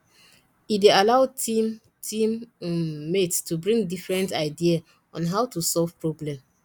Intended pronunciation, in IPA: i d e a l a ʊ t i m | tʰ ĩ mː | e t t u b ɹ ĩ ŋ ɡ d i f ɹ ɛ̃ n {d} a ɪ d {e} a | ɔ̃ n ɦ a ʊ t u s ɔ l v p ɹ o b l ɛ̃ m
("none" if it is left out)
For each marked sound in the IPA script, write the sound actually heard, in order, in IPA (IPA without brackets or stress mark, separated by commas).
t, i